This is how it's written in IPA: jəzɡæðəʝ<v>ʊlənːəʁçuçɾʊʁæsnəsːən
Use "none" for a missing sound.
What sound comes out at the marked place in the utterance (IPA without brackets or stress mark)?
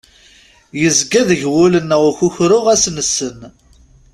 w